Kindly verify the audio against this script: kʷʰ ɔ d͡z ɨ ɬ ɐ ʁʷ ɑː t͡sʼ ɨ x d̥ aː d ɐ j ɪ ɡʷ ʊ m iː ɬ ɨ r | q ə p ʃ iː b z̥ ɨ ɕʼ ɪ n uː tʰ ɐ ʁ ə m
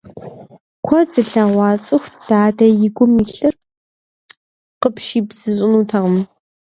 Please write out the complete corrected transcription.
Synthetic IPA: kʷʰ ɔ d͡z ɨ ɬ ɐ ʁʷ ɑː t͡sʼ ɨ x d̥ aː d ɐ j ɪ ɡʷ ʊ m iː ɬ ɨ r | q ə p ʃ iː b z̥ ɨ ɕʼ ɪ n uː tʰ ɐ ʁ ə m